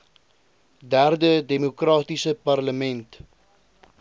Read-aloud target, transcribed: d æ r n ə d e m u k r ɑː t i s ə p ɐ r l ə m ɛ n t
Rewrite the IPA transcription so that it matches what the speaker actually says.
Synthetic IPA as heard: d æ r d ə d e m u k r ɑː t i s ə p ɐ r l ə m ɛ n t